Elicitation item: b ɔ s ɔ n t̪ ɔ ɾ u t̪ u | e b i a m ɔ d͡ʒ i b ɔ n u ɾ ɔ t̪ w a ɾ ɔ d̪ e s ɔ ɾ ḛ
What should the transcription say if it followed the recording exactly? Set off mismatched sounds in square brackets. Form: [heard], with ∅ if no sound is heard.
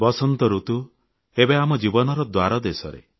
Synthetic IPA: b ɔ s ɔ n t̪ ɔ ɾ u t̪ u | e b [e] a m ɔ d͡ʒ i b ɔ n [ɔ] ɾ ɔ [d̪] w a ɾ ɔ d̪ e s ɔ ɾ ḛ